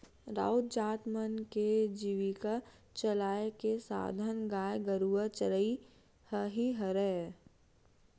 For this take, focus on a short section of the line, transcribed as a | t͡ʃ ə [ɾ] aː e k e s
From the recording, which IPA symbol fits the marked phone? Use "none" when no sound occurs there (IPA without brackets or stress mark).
l